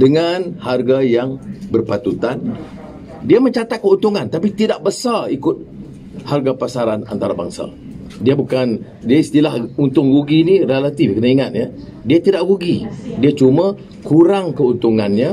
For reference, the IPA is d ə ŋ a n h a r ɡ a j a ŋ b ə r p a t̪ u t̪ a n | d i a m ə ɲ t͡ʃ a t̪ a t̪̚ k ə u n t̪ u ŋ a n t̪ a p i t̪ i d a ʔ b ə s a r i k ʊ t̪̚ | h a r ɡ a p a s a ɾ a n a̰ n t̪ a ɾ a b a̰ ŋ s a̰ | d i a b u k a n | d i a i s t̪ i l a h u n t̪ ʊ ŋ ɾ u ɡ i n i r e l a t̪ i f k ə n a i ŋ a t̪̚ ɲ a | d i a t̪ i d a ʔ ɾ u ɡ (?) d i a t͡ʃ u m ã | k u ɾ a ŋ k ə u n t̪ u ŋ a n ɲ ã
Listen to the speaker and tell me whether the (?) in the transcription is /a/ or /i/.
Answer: i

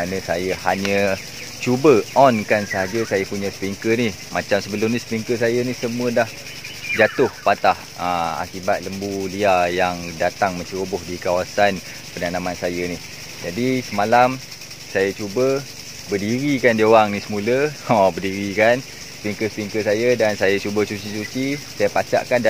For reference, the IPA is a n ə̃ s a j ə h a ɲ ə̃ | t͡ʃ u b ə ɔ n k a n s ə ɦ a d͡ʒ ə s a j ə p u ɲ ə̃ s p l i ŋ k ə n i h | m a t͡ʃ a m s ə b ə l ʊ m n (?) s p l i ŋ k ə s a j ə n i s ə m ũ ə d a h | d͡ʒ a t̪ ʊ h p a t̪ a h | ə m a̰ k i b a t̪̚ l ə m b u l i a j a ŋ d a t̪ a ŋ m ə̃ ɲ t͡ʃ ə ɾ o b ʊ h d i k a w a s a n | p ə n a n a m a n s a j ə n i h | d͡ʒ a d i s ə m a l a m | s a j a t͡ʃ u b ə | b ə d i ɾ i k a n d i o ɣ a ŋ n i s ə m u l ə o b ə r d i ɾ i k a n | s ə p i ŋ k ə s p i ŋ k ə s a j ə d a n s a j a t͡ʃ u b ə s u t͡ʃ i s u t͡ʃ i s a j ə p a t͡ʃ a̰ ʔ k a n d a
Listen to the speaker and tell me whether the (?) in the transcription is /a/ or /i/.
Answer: i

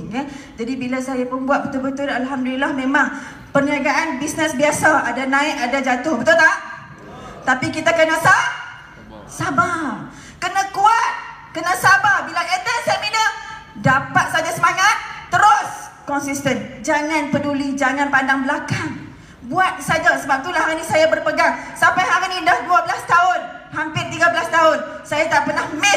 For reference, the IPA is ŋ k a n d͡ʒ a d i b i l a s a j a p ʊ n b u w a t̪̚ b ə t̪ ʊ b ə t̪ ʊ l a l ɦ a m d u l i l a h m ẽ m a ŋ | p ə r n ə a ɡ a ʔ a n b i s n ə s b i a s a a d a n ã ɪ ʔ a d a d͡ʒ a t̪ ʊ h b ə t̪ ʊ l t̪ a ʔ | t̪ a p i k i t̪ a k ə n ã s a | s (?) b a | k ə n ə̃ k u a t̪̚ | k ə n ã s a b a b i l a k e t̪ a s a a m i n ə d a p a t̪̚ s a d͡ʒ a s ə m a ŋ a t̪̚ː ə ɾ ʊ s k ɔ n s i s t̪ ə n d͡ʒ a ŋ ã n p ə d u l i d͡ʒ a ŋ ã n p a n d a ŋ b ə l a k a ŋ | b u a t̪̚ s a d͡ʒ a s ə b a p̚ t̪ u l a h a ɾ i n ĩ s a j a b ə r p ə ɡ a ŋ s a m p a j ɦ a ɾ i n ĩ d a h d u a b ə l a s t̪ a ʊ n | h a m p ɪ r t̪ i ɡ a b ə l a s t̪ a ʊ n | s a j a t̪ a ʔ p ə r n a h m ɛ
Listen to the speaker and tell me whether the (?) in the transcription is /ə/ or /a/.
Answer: a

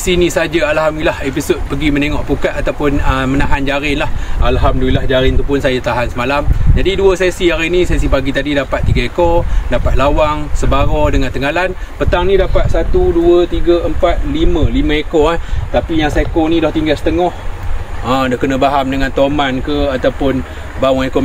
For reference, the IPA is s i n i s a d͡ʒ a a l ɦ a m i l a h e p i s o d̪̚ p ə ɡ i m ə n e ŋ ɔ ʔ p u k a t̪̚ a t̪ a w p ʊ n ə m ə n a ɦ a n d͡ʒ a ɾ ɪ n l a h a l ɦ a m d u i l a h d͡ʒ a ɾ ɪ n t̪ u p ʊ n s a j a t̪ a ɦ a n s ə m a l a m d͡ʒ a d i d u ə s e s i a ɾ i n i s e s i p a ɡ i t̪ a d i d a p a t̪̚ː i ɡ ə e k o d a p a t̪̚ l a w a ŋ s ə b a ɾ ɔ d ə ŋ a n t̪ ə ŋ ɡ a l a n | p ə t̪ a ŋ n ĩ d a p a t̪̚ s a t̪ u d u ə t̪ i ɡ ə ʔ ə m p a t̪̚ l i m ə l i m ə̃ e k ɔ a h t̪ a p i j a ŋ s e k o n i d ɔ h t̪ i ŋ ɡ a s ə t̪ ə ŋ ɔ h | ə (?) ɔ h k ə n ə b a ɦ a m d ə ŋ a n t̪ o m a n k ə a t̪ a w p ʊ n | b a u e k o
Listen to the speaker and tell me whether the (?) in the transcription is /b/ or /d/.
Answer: d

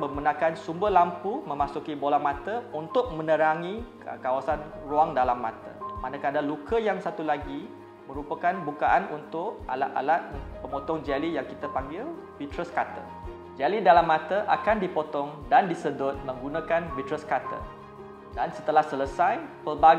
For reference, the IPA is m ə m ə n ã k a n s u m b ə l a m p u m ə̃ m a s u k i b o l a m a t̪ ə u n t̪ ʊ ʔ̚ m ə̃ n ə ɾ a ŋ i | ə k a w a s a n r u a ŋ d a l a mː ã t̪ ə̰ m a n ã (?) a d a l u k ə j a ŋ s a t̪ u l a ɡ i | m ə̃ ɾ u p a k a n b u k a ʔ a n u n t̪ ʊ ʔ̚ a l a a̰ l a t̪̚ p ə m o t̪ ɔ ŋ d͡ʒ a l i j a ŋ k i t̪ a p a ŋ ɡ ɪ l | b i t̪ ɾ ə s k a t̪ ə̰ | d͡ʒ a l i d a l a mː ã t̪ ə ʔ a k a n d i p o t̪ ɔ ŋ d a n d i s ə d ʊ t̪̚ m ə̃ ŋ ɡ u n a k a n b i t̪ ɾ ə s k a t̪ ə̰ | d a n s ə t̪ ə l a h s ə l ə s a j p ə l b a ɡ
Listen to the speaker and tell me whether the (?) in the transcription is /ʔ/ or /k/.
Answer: k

